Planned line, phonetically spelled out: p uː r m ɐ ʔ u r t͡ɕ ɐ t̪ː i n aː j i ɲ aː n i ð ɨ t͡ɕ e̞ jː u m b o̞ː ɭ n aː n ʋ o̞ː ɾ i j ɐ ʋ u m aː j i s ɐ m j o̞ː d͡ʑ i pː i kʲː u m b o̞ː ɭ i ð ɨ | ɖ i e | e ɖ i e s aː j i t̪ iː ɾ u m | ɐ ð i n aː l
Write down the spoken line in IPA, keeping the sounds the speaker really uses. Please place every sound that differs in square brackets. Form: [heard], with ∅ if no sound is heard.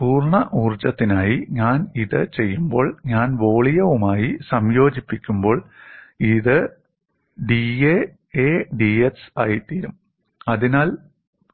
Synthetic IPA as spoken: p uː r [ɳ] ɐ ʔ [uː] r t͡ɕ ɐ t̪ː i n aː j i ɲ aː n i ð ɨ t͡ɕ e̞ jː u m b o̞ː ɭ [ɲ] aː n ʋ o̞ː [ɭ] i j ɐ ʋ u m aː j i s ɐ m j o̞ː d͡ʑ i pː i kʲː u m b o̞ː ɭ i ð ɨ | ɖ i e | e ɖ i e s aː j i t̪ iː ɾ u m | ɐ ð i n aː l